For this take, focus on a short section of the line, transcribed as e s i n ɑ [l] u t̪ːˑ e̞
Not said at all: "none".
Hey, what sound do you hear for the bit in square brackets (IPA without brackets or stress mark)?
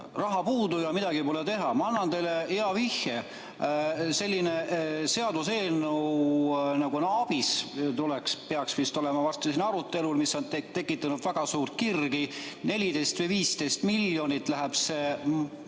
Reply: ɾ